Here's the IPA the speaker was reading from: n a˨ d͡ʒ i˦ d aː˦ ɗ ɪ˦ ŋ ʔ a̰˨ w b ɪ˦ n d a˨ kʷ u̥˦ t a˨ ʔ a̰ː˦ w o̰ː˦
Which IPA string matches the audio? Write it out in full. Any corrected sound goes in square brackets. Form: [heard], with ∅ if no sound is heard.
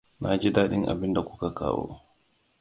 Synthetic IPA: n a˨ d͡ʒ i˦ d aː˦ ɗ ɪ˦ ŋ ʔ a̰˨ [∅] b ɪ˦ n d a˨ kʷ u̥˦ [k] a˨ [k] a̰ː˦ w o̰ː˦